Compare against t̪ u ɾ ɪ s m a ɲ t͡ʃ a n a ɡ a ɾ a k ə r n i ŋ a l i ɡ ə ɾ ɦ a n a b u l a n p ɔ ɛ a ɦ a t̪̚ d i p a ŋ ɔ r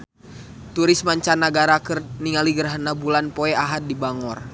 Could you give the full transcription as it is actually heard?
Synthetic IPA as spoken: t̪ u ɾ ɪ s m a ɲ t͡ʃ a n a ɡ a ɾ a k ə r n i ŋ a l i ɡ ə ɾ ɦ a n a b u l a n p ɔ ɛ a ɦ a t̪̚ d i b a ŋ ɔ r